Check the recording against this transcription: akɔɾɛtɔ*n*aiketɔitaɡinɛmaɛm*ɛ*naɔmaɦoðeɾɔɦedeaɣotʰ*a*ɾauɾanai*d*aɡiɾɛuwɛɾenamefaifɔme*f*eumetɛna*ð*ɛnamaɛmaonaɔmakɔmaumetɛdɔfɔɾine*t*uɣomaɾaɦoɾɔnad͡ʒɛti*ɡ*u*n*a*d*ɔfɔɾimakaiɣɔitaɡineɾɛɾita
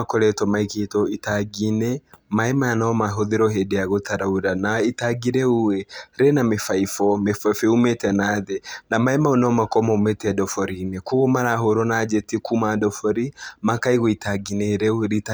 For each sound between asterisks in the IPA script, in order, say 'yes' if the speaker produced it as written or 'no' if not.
no, no, yes, no, yes, yes, no, no, no, yes

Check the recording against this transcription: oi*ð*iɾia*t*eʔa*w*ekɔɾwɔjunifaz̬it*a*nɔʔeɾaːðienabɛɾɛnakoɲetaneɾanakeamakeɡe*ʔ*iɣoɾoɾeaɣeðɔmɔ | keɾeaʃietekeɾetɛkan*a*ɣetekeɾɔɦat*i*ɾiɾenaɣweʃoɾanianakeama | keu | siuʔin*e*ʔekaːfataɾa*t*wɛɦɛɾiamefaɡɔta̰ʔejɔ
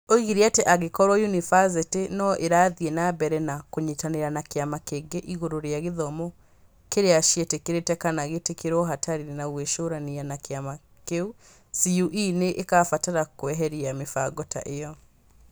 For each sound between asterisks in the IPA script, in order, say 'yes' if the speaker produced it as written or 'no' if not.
no, yes, no, no, yes, yes, no, yes, no

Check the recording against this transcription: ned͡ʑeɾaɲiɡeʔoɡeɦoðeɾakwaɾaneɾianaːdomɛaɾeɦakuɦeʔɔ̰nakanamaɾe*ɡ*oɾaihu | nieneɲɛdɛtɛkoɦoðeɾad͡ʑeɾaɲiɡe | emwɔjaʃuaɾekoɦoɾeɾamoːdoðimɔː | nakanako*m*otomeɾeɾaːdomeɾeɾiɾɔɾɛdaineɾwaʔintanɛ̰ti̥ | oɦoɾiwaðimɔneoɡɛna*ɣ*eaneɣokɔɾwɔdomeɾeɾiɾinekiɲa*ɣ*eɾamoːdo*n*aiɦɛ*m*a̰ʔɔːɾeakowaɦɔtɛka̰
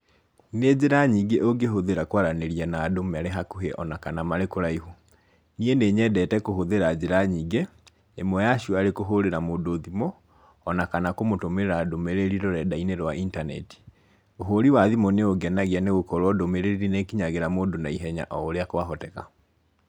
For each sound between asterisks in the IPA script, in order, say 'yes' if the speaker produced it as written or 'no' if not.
no, yes, yes, yes, yes, no

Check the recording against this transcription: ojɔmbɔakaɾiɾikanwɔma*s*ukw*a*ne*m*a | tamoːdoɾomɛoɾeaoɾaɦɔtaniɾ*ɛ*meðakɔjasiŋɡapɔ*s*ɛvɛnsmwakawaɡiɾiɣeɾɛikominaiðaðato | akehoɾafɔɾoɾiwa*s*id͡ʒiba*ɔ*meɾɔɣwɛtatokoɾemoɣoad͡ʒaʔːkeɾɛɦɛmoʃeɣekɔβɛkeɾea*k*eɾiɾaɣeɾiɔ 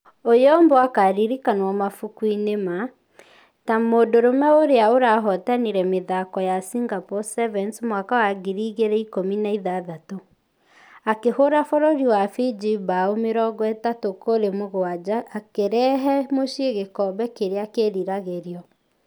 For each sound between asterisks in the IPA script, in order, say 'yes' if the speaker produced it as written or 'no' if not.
no, no, yes, yes, yes, no, no, yes

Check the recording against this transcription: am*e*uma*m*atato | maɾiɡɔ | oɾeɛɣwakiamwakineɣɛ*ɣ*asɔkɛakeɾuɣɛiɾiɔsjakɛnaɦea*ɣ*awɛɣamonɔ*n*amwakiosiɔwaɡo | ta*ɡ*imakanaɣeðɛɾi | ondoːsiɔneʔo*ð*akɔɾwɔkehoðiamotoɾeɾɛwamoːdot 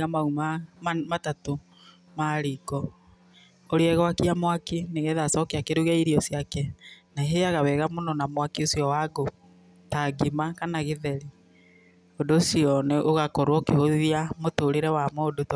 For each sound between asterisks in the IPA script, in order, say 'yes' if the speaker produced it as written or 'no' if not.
no, yes, no, yes, yes, yes, no

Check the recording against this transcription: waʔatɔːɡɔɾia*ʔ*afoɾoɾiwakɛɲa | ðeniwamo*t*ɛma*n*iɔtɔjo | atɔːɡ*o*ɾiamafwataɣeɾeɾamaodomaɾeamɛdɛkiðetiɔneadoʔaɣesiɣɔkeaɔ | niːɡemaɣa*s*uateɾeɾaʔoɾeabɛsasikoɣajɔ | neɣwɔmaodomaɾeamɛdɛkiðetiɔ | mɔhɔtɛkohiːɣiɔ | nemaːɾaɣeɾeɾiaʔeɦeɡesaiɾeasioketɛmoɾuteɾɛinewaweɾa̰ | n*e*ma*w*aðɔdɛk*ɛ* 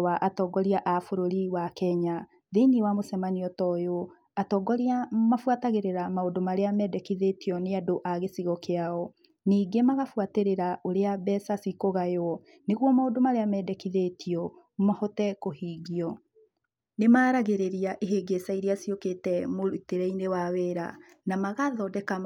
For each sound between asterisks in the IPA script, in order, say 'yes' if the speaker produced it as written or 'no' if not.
yes, no, yes, no, no, no, no, no

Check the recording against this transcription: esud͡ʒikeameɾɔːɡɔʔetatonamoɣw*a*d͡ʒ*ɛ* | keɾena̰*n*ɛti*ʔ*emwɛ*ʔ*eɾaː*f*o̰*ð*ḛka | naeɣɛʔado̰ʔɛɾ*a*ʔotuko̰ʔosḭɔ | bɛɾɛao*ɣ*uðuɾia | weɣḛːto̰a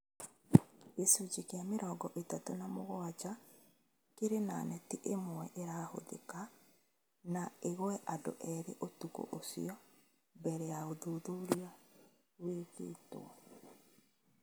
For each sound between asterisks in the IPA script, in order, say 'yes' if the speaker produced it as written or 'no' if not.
yes, no, yes, yes, yes, no, yes, no, no

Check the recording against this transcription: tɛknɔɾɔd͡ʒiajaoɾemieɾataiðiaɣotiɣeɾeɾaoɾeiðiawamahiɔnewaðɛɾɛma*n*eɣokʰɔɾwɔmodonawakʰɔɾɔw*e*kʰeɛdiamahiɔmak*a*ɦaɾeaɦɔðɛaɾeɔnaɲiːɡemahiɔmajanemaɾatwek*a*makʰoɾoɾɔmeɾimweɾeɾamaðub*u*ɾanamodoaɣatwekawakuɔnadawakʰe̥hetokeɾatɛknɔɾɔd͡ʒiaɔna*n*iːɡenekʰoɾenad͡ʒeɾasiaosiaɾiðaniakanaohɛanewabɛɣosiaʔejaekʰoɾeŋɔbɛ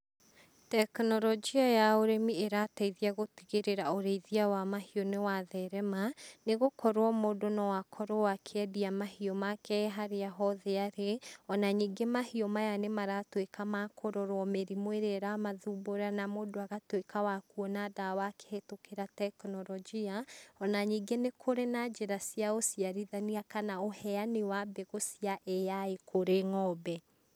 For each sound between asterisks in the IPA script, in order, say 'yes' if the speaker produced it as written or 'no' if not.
yes, no, no, yes, no, no

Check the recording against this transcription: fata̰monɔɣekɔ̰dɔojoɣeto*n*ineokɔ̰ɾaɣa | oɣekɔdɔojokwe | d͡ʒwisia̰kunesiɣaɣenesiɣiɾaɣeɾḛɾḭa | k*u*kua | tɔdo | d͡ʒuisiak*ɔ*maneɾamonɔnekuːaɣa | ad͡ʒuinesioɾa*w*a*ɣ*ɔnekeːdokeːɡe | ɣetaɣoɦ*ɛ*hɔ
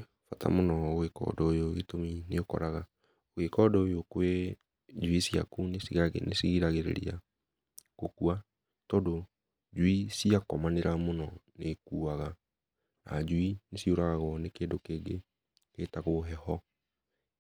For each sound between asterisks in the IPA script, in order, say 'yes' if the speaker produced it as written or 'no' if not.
no, no, yes, no, yes, yes

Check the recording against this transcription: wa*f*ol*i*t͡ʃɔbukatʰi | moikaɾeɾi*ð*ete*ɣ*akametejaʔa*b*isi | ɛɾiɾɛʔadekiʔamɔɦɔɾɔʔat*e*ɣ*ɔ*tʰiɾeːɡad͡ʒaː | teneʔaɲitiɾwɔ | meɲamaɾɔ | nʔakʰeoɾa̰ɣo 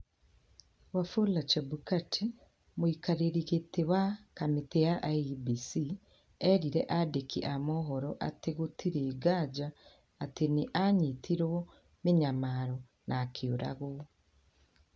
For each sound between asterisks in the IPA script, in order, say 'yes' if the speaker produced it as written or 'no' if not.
yes, no, no, no, yes, yes, no

